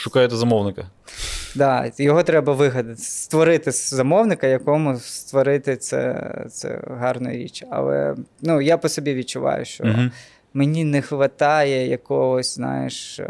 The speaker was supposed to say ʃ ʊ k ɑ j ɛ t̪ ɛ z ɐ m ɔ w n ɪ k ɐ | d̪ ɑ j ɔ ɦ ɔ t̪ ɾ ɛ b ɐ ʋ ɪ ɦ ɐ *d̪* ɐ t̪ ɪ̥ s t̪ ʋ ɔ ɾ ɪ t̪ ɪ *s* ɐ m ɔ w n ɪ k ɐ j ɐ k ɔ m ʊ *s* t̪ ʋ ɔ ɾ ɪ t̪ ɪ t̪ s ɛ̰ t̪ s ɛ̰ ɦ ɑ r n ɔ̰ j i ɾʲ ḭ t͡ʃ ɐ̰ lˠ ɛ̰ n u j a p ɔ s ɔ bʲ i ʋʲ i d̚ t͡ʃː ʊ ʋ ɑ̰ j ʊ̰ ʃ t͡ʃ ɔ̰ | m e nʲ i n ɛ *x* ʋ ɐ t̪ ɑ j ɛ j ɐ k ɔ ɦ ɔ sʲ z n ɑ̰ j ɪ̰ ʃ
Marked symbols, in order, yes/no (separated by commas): yes, no, yes, yes